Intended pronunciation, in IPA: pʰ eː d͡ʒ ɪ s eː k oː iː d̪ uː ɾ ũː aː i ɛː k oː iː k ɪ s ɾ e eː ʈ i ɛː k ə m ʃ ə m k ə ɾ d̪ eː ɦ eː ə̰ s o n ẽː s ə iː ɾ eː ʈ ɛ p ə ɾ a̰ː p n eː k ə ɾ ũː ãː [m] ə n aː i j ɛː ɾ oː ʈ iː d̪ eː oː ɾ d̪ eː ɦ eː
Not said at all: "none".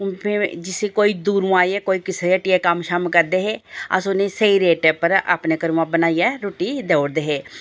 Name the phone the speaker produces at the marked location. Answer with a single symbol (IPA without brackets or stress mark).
b